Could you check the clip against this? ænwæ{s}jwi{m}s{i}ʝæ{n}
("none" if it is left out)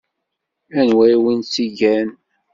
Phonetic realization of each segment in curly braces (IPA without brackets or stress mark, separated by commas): none, n, i, n